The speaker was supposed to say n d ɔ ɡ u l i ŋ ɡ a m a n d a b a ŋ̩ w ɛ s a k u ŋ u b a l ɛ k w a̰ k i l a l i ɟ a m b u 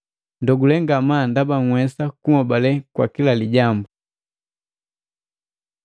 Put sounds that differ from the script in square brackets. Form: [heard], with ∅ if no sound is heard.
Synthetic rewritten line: n d ɔ ɡ u l [ɛ] ŋ ɡ a m a n d a b a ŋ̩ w ɛ s a k u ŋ [ɔ] b a l ɛ k w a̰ k i l a l i ɟ a m b u